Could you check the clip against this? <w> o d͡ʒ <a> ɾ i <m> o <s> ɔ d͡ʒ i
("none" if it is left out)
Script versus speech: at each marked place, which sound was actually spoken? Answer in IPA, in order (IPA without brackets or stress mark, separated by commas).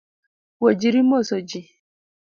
w, i, m, s